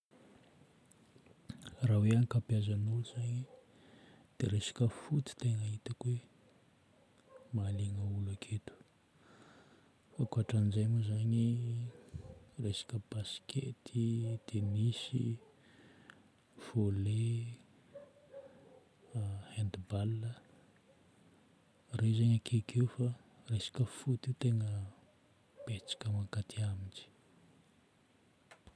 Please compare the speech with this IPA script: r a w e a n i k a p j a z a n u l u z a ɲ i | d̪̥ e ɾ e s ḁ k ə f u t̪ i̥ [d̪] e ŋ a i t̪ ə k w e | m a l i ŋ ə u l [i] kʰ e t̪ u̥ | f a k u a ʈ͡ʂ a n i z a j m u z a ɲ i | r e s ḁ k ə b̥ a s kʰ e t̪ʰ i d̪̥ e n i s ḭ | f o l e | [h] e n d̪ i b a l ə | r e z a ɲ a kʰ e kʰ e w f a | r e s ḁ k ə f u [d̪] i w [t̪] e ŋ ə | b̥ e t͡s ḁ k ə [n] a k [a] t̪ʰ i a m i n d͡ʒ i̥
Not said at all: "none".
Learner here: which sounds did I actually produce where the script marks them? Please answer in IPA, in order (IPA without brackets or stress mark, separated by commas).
t̪, a, h, t̪, t̪, m, a